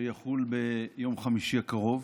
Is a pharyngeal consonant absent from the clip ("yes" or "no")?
yes